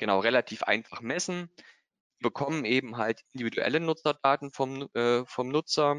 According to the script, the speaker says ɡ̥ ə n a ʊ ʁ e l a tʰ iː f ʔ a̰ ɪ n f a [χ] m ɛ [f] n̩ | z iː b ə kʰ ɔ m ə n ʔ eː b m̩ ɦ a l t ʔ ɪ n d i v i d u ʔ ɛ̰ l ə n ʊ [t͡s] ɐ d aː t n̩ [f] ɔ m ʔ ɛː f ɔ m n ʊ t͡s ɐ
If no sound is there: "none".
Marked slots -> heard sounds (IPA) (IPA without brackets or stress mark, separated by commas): χ, s, t͡s, f